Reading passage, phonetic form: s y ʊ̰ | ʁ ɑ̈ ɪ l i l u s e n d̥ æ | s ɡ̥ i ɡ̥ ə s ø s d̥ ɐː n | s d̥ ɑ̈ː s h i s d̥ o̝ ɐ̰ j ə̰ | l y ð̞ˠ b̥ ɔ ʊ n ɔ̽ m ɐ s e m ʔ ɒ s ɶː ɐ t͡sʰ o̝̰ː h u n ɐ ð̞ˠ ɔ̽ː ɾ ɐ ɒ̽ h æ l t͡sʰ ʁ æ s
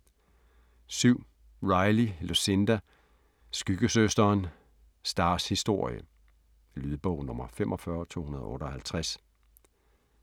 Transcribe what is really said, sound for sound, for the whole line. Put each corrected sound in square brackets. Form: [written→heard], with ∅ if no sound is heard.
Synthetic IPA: s y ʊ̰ | ʁ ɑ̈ ɪ l i l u s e n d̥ æ | s ɡ̥ [i→y] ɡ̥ ə s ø s d̥ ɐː n | s d̥ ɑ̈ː s h i s d̥ o̝ ɐ̰ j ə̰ | l y ð̞ˠ b̥ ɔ ʊ n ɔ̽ m ɐ [s→f] e m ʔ ɒ [s→f] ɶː ɐ t͡sʰ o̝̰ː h u n ɐ ð̞ˠ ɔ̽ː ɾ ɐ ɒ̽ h æ l t͡sʰ ʁ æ s